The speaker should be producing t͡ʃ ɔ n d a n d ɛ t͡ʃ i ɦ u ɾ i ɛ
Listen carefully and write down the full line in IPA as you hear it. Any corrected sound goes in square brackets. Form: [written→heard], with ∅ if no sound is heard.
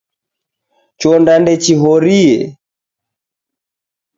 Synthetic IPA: t͡ʃ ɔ n d a n d ɛ t͡ʃ i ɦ [u→ɔ] ɾ i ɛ